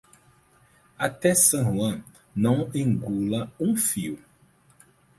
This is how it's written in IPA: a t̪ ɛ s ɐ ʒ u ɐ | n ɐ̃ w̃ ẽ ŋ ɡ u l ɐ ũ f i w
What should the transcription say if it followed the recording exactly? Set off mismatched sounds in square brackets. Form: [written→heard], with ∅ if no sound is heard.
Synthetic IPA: a t̪ ɛ s [ɐ→ɐ̃] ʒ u [ɐ→ɐ̃] | n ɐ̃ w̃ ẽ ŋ ɡ u l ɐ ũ f i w